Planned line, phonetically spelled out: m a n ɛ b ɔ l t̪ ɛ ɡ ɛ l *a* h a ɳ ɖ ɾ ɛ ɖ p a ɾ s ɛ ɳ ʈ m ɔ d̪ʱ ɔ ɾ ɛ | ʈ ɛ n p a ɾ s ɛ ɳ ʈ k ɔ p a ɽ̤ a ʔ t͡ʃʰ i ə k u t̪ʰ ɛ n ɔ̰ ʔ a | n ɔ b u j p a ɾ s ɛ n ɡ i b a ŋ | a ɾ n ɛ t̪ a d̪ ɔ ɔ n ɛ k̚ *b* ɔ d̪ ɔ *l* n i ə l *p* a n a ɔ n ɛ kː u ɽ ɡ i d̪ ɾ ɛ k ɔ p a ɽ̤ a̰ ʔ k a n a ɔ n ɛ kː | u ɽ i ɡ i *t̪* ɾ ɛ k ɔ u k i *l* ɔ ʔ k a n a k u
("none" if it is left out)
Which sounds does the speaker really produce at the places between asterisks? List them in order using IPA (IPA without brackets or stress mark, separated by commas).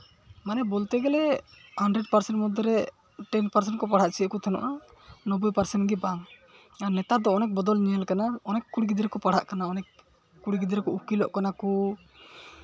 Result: ɛ, b, l, k, d̪, l